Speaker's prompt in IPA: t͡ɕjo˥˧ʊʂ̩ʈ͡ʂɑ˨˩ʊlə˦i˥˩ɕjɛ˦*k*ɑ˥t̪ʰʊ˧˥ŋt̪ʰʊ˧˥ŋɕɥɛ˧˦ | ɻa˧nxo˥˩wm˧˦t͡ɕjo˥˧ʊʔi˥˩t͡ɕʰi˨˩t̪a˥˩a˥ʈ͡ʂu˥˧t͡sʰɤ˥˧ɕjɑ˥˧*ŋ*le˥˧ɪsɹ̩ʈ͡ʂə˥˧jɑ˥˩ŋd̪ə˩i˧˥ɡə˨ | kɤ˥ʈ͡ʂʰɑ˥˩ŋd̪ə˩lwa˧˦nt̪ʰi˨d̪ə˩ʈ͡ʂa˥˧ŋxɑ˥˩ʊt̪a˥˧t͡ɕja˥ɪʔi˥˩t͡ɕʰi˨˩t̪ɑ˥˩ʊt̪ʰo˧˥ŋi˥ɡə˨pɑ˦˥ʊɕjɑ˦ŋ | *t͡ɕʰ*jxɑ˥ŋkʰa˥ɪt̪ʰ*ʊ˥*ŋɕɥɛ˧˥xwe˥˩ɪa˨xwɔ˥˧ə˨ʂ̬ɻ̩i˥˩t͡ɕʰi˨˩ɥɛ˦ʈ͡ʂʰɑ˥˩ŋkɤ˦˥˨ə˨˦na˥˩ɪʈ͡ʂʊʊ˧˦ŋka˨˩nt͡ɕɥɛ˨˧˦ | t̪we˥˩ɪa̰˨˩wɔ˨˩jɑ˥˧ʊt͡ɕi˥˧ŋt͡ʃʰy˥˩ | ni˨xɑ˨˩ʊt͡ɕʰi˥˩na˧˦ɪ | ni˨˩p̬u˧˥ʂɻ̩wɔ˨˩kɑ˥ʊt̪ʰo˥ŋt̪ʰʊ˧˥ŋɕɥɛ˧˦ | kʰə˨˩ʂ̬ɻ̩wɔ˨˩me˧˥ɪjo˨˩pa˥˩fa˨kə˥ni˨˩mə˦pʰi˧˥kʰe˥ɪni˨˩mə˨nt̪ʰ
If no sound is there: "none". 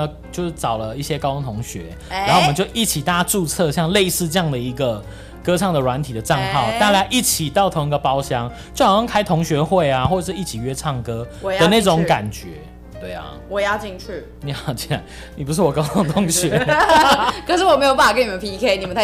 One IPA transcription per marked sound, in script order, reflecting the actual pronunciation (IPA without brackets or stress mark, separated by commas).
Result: k, ŋ, t͡ɕ, ʊ˧˥